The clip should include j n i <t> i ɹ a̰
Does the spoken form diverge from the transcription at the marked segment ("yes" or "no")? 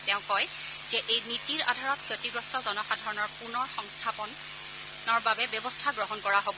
no